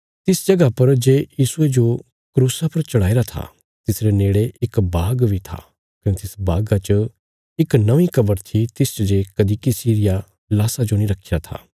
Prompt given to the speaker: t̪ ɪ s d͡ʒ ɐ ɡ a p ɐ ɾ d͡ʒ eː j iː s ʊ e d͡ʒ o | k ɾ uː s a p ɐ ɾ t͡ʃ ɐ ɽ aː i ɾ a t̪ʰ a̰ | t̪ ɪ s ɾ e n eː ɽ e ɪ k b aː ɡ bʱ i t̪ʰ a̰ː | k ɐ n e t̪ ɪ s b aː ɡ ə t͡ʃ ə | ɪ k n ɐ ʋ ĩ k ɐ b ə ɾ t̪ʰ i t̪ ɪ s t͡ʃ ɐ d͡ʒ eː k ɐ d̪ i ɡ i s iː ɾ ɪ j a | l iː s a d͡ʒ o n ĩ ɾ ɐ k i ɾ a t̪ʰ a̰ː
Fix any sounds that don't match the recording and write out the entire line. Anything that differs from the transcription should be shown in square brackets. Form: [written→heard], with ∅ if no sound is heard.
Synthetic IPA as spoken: t̪ ɪ s d͡ʒ ɐ ɡ a p ɐ ɾ d͡ʒ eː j iː s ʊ e d͡ʒ o | k ɾ uː s a p ɐ ɾ t͡ʃ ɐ ɽ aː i ɾ a t̪ʰ a̰ | t̪ ɪ s ɾ e n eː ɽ e ɪ k b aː ɡ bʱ i t̪ʰ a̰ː | k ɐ n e t̪ ɪ s b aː ɡ [ə→a] t͡ʃ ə | ɪ k n ɐ ʋ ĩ k ɐ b ə ɾ t̪ʰ i t̪ ɪ s t͡ʃ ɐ d͡ʒ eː k ɐ d̪ i [ɡ→k] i s iː ɾ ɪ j a | l [iː→aː] s a d͡ʒ o n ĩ ɾ ɐ [k→kʰ] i ɾ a t̪ʰ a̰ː